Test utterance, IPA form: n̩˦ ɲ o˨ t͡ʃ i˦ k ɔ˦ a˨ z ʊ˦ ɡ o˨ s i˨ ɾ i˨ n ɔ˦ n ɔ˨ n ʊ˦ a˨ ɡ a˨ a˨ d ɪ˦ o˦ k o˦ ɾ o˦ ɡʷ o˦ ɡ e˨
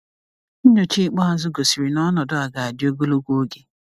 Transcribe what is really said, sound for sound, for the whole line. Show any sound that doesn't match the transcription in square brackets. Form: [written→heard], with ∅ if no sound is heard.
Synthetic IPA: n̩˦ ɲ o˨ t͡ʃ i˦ [k→k͡p] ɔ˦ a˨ z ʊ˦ ɡ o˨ s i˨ ɾ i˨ n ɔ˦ n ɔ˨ [n→d] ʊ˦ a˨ ɡ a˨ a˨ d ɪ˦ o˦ [k→ɡ] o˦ [ɾ→l] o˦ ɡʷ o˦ ɡ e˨